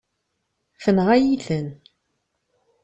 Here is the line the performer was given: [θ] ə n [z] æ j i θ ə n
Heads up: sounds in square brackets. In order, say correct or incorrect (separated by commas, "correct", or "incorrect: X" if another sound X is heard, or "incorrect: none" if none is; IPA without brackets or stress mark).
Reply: incorrect: f, incorrect: ʁ